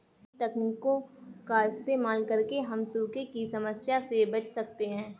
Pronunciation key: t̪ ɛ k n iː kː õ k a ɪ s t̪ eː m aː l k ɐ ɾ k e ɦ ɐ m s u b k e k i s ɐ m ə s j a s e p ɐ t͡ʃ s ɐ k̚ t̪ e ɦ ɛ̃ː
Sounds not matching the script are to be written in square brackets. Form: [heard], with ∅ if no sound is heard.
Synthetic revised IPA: t̪ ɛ k n iː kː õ k a ɪ s t̪ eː m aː l k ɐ ɾ k e ɦ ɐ m s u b k e k i s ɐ m ə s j a s e [b] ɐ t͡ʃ s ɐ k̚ t̪ e ɦ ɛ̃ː